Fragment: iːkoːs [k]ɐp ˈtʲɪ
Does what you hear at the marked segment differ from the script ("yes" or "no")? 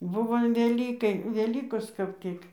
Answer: no